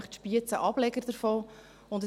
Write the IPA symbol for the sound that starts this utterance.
χ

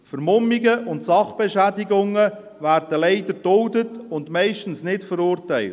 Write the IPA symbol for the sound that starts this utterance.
f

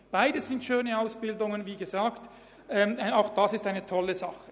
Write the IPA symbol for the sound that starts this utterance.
b̥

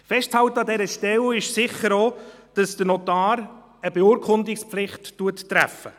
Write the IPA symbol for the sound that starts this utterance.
f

